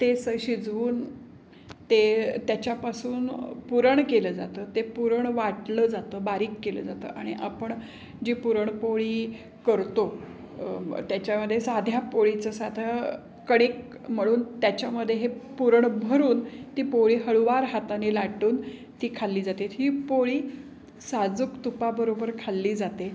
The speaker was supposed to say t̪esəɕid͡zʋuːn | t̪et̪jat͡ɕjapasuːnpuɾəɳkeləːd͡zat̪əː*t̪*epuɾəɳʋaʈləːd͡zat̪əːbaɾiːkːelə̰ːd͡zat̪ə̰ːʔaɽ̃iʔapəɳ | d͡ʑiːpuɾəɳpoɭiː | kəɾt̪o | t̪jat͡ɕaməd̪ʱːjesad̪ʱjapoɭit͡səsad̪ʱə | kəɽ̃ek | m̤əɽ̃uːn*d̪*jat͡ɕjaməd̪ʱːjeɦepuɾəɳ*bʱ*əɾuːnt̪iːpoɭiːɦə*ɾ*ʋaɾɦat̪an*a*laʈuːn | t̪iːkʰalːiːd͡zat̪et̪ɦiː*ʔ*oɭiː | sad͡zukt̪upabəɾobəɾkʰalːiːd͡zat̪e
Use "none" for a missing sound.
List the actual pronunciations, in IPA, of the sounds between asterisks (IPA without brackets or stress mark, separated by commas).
t̪, t̪, bʱ, ɭ, e, p